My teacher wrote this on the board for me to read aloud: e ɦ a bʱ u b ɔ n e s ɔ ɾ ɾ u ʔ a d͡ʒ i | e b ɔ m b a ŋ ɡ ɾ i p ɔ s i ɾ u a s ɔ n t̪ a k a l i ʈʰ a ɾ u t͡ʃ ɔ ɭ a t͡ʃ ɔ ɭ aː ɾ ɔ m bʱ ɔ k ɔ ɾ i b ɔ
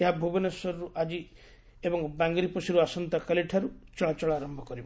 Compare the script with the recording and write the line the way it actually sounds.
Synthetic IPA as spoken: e ɦ a bʱ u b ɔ n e s ɔ ɾ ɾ u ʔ a d͡ʒ i | e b ɔ ŋ b a ŋ ɡ ɾ i p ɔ s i ɾ u a s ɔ n t̪ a k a l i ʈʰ a ɾ u t͡ʃ ɔ ɭ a t͡ʃ ɔ ɭ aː ɾ ɔ m bʱ ɔ k ɔ ɾ i b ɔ